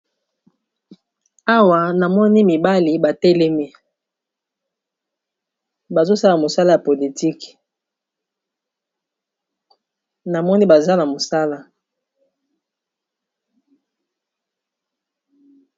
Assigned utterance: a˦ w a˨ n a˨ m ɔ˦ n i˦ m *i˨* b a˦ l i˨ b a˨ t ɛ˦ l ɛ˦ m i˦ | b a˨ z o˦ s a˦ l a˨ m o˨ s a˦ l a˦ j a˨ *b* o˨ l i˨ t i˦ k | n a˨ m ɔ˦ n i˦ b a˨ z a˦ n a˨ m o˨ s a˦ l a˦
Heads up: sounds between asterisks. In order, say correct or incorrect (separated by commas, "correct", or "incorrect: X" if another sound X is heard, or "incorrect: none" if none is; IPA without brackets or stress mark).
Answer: correct, incorrect: p